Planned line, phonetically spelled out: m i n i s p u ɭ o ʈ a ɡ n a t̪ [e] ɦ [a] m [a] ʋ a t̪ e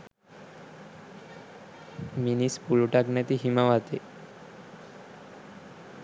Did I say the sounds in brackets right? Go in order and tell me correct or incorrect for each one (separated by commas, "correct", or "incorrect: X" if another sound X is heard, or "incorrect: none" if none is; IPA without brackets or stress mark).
incorrect: i, incorrect: i, correct